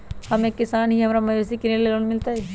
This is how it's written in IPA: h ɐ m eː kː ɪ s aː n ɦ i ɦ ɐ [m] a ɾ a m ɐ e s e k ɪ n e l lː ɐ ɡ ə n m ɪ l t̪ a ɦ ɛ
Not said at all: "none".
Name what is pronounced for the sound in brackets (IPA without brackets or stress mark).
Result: m